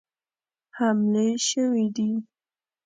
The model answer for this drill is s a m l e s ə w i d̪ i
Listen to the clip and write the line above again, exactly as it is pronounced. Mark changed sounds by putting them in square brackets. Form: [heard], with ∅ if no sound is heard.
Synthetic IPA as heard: [h] a m l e [ʃ] ə w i d̪ i